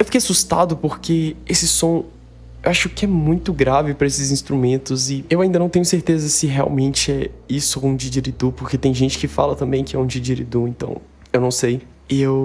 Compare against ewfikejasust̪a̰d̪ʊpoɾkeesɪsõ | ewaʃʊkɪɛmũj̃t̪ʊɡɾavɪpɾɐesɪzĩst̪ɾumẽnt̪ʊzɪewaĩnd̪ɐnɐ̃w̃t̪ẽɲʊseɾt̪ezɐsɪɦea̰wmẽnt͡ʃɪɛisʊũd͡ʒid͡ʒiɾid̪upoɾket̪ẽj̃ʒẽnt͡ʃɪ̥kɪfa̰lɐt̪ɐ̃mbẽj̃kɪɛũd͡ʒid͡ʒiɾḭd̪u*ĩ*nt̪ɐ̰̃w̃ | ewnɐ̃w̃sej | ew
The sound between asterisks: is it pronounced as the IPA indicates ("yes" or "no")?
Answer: no